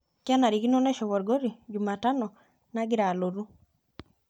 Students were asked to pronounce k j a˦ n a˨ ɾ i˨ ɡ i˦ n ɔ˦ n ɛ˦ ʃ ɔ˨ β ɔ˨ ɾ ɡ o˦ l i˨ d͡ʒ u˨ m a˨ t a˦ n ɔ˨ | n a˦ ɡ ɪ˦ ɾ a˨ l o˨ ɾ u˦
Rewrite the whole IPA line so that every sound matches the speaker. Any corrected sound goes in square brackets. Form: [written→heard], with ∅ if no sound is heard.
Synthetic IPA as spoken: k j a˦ n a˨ ɾ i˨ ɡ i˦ n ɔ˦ n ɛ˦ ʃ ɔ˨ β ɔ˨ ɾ ɡ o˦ [l→ɾ] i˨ d͡ʒ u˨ m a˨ t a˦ n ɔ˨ | n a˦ ɡ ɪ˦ ɾ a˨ l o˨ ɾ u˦